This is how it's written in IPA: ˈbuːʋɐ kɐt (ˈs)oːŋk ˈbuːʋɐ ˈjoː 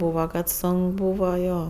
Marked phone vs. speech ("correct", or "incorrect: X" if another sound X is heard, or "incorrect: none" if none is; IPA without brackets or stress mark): correct